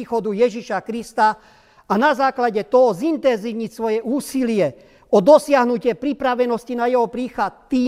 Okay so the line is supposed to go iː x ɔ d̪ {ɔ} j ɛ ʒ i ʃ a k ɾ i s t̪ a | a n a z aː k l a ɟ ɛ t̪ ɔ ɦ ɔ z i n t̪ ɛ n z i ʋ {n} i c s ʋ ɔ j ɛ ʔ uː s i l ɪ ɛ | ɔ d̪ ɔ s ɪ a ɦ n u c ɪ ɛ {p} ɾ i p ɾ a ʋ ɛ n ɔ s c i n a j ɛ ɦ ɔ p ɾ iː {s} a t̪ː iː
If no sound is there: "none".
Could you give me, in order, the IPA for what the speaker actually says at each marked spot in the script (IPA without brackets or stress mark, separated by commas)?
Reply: u, ɲ, p, x